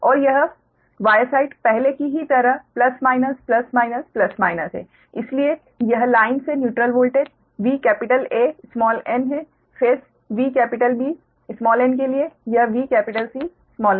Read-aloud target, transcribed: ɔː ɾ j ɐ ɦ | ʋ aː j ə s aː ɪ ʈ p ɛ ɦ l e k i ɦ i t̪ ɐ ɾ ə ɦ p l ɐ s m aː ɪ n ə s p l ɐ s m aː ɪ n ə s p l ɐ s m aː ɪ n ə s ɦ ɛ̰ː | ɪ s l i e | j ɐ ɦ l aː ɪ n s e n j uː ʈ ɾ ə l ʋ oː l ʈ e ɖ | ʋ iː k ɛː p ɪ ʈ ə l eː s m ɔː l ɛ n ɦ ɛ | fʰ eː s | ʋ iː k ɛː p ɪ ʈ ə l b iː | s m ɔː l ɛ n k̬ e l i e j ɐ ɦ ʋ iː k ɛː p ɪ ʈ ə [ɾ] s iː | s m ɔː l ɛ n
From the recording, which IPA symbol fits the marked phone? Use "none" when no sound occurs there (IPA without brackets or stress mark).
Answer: l